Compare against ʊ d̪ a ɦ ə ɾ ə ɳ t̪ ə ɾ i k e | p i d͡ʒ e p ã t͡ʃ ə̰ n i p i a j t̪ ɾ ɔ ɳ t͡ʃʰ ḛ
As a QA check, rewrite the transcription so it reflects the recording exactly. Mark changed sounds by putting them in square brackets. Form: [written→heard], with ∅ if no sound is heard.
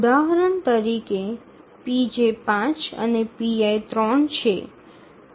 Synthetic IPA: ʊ d̪ a ɦ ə ɾ ə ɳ t̪ ə ɾ i k e | p i d͡ʒ e p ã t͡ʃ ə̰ n [i→e] p i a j t̪ ɾ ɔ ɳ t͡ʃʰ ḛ

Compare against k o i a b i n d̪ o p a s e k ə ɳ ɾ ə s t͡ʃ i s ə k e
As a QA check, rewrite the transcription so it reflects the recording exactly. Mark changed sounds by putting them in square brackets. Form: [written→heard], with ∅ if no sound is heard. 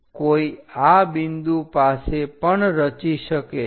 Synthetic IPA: k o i a b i n d̪ [o→u] p a s e [k→p] ə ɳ ɾ ə [s→∅] t͡ʃ i [s→ʃ] ə k e

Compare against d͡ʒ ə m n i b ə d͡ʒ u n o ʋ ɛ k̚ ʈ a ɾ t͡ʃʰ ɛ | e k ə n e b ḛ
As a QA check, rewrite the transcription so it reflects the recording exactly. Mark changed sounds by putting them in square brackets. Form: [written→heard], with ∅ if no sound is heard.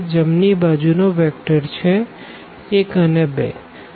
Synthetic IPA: d͡ʒ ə m n i b [ə→a] d͡ʒ u n o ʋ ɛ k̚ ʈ [a→ə] ɾ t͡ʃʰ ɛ | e k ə n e b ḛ

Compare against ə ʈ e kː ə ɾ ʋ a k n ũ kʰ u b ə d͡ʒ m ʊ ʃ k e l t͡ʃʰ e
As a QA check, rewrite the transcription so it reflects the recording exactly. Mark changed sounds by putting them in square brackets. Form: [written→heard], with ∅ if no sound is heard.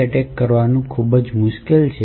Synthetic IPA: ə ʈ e kː ə ɾ ʋ a [k→∅] n ũ kʰ u b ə d͡ʒ m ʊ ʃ k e l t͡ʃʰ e

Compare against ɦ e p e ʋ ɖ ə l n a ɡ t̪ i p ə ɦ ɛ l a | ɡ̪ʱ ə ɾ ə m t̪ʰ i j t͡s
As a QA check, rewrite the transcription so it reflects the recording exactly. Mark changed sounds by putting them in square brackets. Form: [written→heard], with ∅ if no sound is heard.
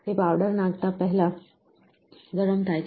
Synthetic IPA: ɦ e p [e→a] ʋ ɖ ə [l→ɾ] n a ɡ t̪ [i→a] p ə ɦ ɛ l a | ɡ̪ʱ ə ɾ ə m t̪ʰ [i→a] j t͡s

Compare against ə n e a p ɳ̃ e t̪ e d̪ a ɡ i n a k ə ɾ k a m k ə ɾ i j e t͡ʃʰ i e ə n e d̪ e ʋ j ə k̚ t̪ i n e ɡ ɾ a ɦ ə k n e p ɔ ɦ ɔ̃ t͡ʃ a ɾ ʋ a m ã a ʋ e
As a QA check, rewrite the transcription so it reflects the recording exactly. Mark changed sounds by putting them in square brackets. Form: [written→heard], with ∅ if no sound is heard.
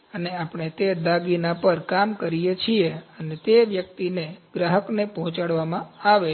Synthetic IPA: ə n e a p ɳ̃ e t̪ e d̪ a ɡ i n a [k→p] ə ɾ k a m k ə ɾ i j e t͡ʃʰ i e ə n e [d̪→t̪] e ʋ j ə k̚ t̪ i n e ɡ ɾ a ɦ ə k n e p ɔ ɦ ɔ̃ t͡ʃ a [ɾ→ɽ] ʋ a m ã a ʋ e

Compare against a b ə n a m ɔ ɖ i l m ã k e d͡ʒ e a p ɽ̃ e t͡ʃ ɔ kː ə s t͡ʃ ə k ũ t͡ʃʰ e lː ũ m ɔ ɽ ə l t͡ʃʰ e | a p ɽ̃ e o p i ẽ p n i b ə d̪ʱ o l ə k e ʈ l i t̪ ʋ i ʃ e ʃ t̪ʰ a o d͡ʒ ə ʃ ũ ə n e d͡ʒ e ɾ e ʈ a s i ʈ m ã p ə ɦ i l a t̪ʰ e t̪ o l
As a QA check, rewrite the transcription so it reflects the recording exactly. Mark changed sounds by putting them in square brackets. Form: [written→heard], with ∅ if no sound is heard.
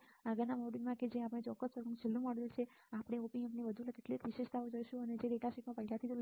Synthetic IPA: a [b→ɡ] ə n a m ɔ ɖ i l m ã k e d͡ʒ e a p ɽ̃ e t͡ʃ ɔ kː ə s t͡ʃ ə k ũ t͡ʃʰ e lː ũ m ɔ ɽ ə l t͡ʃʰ e | a p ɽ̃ e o p i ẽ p n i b ə d̪ʱ [o→u] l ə k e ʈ l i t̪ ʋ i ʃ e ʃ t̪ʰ a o d͡ʒ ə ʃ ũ ə n e d͡ʒ e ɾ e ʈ a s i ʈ m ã p ə ɦ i l a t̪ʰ [e→i] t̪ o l

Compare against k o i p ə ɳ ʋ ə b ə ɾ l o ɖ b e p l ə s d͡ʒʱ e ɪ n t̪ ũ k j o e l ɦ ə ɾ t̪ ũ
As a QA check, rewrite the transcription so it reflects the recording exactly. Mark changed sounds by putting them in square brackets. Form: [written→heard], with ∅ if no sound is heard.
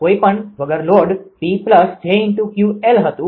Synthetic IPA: k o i p ə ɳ ʋ ə [b→ɡ] ə ɾ l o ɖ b [e→i] p l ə s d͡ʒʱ e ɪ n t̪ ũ k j [o→u] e l ɦ ə [ɾ→∅] t̪ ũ

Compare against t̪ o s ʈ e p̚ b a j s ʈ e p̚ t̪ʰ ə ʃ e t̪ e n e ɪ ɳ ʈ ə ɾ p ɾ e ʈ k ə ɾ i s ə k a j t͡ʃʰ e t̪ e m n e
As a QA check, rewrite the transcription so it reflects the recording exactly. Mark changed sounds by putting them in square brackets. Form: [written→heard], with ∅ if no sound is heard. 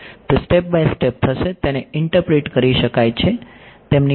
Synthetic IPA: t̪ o s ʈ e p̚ b a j s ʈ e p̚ t̪ʰ ə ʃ e t̪ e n e ɪ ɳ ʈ ə ɾ p ɾ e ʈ k ə ɾ i [s→ʃ] ə k a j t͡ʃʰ e t̪ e m n [e→i]

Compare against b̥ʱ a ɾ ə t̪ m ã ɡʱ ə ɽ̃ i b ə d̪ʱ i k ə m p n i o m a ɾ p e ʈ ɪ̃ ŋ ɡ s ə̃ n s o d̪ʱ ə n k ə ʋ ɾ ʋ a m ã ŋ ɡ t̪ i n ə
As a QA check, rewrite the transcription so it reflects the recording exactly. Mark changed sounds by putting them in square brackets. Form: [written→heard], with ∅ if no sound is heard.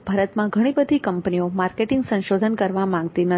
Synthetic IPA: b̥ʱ a ɾ ə t̪ m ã ɡʱ ə ɽ̃ i b ə d̪ʱ i k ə m p n i o m a ɾ [p→k] e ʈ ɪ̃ ŋ ɡ s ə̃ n [s→ʃ] o d̪ʱ ə n k ə [ʋ→∅] ɾ ʋ a m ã ŋ ɡ t̪ i n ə

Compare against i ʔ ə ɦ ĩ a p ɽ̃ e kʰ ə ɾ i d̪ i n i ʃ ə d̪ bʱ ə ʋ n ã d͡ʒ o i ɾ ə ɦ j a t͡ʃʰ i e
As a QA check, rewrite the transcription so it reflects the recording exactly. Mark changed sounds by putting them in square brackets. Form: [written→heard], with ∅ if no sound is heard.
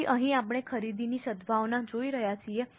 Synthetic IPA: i ʔ ə ɦ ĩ a p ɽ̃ e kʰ ə ɾ i d̪ i n i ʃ ə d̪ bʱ [ə→a] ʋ n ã d͡ʒ o i ɾ ə ɦ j a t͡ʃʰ i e

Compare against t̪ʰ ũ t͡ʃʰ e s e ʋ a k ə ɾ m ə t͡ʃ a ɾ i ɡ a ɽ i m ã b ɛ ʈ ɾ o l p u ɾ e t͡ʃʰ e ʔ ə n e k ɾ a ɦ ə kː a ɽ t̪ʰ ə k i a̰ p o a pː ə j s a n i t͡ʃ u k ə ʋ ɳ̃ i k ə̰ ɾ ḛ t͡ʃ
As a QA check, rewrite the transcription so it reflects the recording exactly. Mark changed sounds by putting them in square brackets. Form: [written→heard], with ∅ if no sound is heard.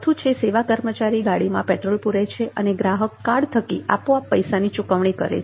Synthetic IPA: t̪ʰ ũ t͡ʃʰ e s e ʋ a k ə ɾ m ə t͡ʃ a ɾ i ɡ a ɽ i m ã [b→p] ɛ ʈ ɾ o l p u ɾ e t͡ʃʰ e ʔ ə n e [k→ɡ] ɾ a ɦ ə kː a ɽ t̪ʰ ə k i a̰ p o a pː ə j s a n i t͡ʃ u k ə ʋ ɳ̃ i k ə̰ ɾ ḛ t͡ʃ

